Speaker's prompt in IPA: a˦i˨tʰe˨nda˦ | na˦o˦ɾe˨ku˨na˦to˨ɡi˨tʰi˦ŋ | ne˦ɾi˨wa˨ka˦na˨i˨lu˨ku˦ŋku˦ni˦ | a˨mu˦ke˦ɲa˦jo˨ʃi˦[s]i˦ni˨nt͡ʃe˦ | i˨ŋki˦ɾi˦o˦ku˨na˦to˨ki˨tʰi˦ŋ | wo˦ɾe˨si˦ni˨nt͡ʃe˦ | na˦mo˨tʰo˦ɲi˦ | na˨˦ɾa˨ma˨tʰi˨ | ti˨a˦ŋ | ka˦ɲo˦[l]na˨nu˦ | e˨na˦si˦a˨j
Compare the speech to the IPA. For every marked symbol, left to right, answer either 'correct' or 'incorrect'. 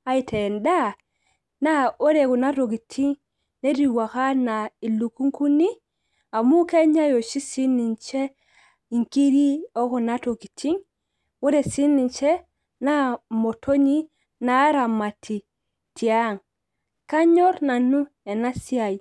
correct, incorrect

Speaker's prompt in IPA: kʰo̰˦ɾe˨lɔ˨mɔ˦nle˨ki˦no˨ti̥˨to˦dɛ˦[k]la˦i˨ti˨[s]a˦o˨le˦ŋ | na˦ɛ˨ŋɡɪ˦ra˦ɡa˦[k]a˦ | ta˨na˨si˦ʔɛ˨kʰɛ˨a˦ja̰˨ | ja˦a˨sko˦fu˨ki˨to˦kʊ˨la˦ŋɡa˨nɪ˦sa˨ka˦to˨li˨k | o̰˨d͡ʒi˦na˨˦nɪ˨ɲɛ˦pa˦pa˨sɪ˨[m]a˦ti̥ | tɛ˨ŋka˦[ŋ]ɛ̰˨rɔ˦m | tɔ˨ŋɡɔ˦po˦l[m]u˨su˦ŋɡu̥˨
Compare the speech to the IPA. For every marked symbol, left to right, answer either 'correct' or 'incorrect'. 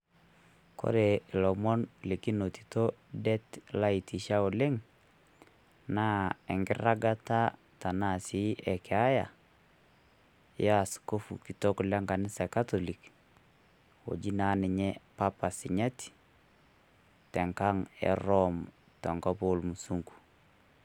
incorrect, incorrect, incorrect, incorrect, correct, correct

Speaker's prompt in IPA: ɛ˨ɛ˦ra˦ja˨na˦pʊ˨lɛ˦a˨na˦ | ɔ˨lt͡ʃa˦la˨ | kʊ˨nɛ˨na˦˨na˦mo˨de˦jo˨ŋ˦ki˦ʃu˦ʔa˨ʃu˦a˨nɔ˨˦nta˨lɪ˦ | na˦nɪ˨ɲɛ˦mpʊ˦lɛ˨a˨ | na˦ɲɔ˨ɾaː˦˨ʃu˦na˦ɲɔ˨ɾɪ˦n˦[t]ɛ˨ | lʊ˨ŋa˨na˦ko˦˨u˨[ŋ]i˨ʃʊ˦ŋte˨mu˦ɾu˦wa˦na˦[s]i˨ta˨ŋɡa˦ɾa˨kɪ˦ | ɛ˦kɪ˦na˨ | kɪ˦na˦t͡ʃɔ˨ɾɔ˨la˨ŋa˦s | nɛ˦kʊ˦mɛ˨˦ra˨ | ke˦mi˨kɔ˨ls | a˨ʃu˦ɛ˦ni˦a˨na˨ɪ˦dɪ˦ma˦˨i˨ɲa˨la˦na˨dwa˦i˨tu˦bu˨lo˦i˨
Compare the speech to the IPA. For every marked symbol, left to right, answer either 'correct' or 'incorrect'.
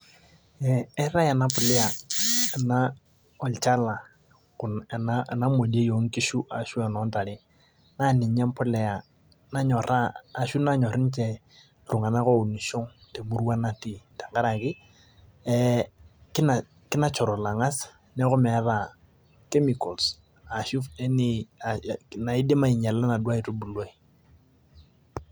incorrect, incorrect, incorrect

